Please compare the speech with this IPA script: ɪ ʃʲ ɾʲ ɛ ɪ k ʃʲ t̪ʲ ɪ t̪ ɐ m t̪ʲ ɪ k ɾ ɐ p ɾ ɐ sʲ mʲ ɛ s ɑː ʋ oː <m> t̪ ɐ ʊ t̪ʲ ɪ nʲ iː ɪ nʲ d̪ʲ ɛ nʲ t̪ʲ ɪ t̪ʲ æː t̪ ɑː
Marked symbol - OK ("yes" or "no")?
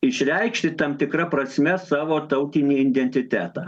no